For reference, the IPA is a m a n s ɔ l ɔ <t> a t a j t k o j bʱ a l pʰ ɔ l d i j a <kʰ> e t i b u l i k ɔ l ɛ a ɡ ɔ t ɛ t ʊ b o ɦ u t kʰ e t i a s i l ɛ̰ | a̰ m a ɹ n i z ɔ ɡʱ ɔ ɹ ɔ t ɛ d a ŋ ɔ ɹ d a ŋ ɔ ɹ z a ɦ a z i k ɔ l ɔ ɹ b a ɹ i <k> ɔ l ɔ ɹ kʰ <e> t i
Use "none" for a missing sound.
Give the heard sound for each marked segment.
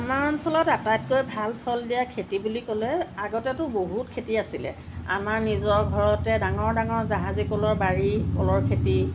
t, kʰ, k, e

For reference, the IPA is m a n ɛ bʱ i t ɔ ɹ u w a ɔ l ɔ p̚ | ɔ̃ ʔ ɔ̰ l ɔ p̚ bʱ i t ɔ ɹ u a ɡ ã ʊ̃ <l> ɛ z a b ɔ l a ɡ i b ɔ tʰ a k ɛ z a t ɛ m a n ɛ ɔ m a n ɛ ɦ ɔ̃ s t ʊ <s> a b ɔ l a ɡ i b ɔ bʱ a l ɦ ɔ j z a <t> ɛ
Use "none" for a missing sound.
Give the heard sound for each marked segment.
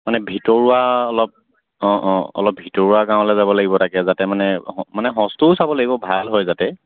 l, s, t

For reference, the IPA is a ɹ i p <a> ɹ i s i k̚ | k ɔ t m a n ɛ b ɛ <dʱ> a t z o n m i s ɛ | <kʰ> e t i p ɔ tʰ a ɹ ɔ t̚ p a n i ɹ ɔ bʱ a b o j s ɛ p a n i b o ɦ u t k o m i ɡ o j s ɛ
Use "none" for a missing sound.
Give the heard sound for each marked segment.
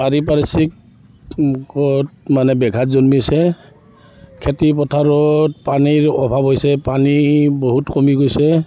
a, ɡʱ, kʰ

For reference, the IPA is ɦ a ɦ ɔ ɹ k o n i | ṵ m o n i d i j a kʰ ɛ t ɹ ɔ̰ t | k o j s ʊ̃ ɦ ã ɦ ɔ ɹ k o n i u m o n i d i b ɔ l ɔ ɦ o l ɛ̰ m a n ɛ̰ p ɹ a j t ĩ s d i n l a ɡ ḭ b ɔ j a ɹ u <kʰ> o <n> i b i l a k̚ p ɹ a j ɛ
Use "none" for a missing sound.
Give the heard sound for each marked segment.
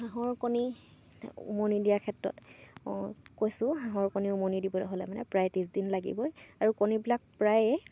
k, n

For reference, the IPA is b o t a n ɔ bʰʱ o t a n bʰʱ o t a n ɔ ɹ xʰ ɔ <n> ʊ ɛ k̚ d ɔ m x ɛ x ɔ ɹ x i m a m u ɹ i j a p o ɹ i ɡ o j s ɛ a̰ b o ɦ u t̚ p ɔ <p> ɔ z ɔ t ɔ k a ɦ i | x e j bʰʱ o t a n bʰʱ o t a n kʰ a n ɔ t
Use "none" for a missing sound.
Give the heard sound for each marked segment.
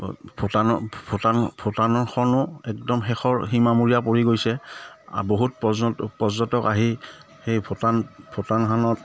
n, p

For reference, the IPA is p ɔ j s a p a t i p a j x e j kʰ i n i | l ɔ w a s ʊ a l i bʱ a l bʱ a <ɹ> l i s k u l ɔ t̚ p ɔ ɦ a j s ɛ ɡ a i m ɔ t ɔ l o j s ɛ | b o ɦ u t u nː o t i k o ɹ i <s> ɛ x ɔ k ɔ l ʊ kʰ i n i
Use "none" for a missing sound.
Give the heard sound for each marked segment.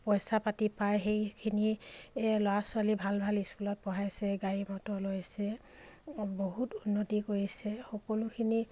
none, s

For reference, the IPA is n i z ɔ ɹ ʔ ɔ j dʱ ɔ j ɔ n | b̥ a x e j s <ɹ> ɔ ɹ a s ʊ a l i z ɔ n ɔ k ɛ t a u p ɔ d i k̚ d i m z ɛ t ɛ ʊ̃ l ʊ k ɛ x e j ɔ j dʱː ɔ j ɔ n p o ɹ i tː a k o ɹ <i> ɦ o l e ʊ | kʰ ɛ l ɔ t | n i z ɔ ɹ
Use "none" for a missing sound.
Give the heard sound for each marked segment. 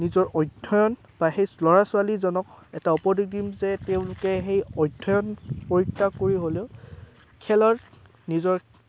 l, i

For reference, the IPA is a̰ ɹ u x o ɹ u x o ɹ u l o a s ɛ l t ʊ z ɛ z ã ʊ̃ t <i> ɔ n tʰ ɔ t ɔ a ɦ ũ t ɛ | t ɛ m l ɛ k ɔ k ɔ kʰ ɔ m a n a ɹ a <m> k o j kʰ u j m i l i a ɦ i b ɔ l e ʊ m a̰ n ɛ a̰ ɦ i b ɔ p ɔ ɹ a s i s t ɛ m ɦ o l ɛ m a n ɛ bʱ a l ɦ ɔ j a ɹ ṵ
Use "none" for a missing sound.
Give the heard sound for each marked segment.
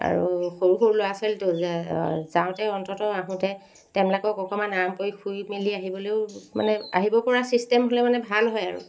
ɛ, m

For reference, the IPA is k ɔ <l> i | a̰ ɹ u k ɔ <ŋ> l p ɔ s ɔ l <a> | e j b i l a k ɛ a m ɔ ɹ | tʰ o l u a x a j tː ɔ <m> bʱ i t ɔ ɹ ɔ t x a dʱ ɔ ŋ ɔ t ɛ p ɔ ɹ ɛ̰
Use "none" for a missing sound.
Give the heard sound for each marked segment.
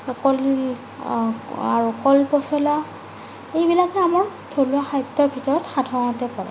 l, none, a, none

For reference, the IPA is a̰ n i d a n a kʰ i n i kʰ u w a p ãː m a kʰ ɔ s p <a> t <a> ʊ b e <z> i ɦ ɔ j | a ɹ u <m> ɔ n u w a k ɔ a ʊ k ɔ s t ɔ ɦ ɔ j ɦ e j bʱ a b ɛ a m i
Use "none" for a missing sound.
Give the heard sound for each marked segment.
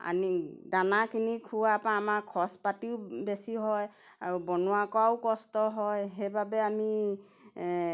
a, i, s, b

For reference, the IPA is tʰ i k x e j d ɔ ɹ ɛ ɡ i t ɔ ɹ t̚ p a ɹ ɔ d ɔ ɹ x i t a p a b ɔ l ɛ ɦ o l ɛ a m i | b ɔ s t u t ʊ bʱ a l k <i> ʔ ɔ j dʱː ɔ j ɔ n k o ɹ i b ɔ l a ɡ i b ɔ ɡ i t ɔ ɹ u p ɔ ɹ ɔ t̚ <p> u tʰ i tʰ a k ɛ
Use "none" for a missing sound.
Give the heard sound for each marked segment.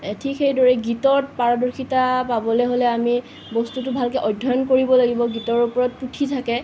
ɛ, p

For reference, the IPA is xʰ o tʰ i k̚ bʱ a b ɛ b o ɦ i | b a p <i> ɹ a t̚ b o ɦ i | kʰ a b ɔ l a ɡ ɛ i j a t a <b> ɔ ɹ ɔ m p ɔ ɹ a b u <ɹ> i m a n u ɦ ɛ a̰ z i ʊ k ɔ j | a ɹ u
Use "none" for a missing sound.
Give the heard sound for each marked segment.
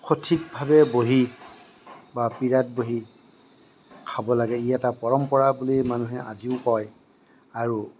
i, p, l

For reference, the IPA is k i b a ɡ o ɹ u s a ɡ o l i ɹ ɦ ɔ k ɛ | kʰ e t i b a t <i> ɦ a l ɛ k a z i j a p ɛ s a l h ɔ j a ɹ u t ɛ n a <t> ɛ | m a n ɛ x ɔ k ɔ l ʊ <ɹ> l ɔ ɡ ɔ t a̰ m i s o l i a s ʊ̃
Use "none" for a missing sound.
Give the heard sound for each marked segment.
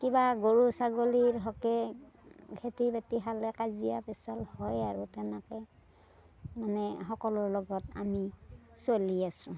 i, k, ɹ

